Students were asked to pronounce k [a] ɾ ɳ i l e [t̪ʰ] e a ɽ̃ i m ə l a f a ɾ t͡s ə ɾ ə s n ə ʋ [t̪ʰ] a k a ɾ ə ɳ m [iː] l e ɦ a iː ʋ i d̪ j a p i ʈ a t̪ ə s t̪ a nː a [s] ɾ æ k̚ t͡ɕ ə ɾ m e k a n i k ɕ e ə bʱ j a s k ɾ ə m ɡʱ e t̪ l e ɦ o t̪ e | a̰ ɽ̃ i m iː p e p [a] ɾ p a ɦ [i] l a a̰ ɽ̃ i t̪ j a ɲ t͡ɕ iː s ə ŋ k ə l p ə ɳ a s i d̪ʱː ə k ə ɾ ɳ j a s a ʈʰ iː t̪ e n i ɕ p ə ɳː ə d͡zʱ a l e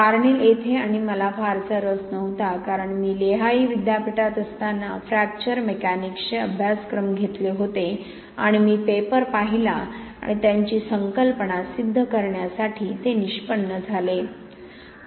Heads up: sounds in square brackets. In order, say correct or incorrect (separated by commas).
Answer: correct, correct, incorrect, correct, incorrect, incorrect, correct